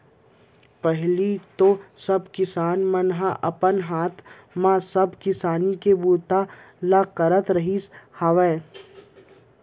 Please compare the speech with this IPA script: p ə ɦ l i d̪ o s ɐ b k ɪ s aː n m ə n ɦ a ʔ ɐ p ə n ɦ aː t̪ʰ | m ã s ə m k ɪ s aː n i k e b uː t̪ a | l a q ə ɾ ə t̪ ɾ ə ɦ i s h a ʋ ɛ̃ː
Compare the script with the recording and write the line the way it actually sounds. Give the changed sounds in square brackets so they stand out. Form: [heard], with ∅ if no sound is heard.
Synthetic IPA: p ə ɦ l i [t̪] o s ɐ b k ɪ s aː n m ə n ɦ a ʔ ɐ p ə n ɦ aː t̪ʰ | m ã s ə [b] k ɪ s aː n i k e b uː t̪ a | l a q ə ɾ ə t̪ ɾ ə ɦ i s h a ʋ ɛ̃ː

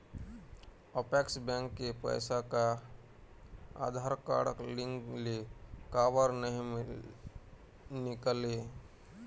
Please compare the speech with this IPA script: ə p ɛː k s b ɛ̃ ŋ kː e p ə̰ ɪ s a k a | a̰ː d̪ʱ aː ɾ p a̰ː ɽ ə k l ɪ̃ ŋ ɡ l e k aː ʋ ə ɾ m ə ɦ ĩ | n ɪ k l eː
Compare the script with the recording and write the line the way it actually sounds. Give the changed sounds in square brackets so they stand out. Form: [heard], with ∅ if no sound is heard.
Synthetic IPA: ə p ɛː k s b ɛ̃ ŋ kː e p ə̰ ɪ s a k a | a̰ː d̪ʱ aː ɾ [k] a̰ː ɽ ə k l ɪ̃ ŋ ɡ l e k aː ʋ ə ɾ [n] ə ɦ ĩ | n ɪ k l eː

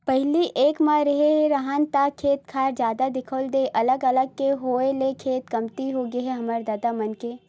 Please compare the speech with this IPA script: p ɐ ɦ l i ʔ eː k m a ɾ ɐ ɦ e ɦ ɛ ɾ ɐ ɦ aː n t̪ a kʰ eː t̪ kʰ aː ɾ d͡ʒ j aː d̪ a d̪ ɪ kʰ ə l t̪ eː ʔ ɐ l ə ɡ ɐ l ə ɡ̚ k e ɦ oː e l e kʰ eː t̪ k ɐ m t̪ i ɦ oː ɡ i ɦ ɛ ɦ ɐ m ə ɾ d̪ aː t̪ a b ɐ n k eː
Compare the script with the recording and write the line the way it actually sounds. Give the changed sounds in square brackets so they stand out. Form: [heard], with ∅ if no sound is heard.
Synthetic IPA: p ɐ ɦ l i ʔ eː k m a ɾ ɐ ɦ e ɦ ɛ ɾ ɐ ɦ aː n t̪ a kʰ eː t̪ kʰ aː ɾ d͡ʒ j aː d̪ a d̪ ɪ kʰ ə l [d̪] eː ʔ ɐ l ə ɡ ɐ l ə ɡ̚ k e ɦ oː e l e kʰ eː t̪ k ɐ m t̪ i ɦ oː ɡ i ɦ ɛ ɦ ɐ m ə ɾ d̪ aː [d̪] a [m] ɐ n k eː

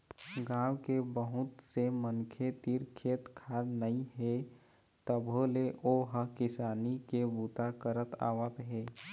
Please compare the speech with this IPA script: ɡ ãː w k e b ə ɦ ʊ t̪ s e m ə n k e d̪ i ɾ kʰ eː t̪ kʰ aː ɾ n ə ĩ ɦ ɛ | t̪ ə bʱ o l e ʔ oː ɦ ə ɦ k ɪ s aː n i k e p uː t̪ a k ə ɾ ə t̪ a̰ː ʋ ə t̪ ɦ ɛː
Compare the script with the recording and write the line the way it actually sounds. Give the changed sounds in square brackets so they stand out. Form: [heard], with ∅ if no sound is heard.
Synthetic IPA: ɡ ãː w k e b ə ɦ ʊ t̪ s e m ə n [kʰ] e [t̪] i ɾ kʰ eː t̪ kʰ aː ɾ n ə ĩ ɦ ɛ | t̪ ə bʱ o l e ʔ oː ɦ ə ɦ k ɪ s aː n i k e [b] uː t̪ a k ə ɾ ə t̪ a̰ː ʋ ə t̪ ɦ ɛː

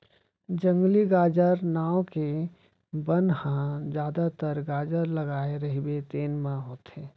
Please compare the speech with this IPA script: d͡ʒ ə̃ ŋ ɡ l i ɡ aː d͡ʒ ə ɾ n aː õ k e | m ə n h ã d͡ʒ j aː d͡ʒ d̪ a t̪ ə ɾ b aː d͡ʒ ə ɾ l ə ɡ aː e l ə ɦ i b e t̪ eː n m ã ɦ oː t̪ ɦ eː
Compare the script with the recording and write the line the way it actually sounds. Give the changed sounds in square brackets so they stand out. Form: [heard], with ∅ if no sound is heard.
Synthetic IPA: d͡ʒ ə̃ ŋ ɡ l i ɡ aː d͡ʒ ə ɾ n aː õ k e | [b] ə n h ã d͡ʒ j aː [∅] d̪ a t̪ ə ɾ [ɡ] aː d͡ʒ ə ɾ l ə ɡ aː e [ɾ] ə ɦ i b e t̪ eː n m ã ɦ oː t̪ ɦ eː

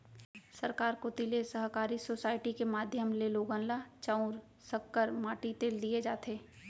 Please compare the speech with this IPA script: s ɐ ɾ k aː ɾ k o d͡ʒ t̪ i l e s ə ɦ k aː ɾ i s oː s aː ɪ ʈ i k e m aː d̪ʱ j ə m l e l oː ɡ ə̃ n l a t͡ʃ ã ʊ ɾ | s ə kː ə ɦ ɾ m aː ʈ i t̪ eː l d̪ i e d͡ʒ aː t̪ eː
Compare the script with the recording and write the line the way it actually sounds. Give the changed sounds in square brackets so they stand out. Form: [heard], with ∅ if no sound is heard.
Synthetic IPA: s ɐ ɾ k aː ɾ k o [∅] t̪ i l e s ə ɦ k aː ɾ i s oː s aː ɪ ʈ i k e m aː d̪ʱ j ə m l e l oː ɡ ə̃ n l a t͡ʃ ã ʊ ɾ | s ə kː ə [∅] ɾ m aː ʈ i t̪ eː l d̪ i e d͡ʒ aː t̪ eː

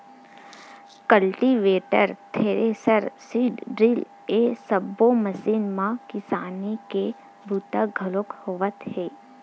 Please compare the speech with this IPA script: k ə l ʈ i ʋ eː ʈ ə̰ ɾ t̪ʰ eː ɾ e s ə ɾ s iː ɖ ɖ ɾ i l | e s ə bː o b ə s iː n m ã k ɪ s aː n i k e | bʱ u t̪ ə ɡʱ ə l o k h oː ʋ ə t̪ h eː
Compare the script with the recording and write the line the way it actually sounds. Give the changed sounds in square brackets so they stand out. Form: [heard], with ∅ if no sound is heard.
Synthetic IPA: k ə l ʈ i ʋ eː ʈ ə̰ ɾ t̪ʰ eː ɾ e s ə ɾ s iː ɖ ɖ ɾ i l | e s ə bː o [m] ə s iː n m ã k ɪ s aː n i k e | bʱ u t̪ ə ɡʱ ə l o k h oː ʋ ə t̪ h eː

